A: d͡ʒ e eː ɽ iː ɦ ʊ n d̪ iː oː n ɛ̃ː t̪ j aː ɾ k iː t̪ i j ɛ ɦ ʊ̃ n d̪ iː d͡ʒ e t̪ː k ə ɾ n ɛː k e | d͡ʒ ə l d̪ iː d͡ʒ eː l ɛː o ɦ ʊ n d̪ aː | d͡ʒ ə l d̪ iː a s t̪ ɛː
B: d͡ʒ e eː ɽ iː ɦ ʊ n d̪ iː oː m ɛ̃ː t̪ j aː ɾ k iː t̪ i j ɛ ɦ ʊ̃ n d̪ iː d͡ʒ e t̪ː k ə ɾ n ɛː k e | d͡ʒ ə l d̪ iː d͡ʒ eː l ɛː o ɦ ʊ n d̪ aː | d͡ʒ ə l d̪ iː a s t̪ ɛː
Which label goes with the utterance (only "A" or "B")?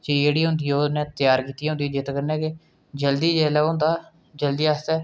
A